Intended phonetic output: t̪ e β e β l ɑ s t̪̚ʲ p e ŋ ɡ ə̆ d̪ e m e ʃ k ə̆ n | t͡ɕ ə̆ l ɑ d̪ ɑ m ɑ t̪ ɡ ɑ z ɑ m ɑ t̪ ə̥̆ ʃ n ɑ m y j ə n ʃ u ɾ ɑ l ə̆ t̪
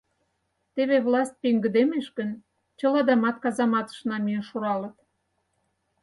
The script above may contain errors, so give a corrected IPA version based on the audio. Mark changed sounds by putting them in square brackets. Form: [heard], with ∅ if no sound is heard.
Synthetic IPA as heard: t̪ e β e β l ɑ s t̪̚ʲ p e ŋ ɡ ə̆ d̪ e m e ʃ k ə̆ n | t͡ɕ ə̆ l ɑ d̪ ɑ m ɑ t̪ [k] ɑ z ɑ m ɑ t̪ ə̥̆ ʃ n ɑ m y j ə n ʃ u ɾ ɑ l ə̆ t̪